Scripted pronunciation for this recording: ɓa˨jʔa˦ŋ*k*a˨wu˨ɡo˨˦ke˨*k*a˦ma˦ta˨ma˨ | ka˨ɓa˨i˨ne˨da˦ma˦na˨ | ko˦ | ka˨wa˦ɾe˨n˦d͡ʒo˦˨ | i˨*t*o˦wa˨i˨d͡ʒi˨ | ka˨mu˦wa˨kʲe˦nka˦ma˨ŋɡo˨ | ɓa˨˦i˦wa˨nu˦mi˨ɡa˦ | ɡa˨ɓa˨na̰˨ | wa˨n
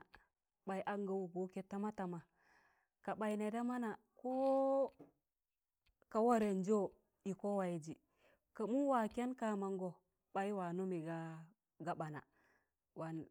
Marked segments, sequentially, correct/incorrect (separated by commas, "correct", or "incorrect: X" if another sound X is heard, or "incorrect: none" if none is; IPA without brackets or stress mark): incorrect: ɡ, incorrect: t, incorrect: k